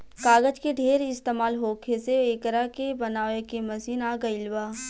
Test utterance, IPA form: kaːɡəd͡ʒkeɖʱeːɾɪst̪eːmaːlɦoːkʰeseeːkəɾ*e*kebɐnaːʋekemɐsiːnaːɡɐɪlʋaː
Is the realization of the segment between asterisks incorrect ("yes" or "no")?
yes